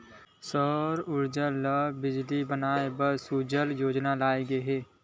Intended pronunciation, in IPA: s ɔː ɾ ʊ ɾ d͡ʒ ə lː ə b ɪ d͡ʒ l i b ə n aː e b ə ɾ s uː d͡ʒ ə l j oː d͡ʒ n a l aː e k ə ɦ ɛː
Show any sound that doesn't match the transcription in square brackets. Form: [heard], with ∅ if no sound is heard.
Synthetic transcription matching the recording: s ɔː ɾ ʊ ɾ d͡ʒ ə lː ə b ɪ d͡ʒ l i b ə n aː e b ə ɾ s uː d͡ʒ ə l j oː d͡ʒ n a l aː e [ɡ] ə ɦ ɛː